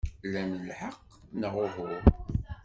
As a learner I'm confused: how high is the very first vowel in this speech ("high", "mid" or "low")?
low